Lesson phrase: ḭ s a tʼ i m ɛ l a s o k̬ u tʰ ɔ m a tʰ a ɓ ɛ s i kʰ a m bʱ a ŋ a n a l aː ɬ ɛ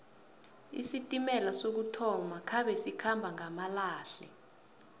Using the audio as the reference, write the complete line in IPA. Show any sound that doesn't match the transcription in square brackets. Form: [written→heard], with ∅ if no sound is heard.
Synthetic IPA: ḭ s [a→i] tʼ i m ɛ l a s o k̬ u tʰ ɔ m a [tʰ→kʰ] a ɓ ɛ s i kʰ a m bʱ a ŋ a [n→m] a l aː ɬ ɛ